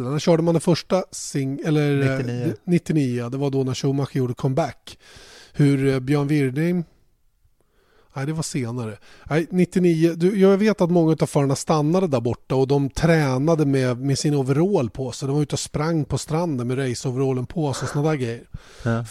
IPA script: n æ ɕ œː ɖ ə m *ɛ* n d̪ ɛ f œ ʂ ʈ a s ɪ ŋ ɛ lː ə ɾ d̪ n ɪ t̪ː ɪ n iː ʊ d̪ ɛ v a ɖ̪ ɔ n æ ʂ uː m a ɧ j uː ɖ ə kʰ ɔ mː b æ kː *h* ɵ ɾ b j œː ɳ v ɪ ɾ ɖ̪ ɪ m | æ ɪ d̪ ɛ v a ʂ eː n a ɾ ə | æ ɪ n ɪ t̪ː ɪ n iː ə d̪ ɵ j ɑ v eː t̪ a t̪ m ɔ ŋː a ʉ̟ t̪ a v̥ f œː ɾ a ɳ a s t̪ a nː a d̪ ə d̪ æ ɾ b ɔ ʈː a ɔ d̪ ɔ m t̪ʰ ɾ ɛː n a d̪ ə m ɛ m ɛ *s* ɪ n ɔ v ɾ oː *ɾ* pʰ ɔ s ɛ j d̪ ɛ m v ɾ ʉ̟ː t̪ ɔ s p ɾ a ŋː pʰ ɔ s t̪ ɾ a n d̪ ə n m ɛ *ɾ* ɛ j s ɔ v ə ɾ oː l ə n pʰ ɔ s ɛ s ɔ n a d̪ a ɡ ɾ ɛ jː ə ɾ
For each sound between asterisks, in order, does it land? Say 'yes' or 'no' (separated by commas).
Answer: no, yes, yes, no, yes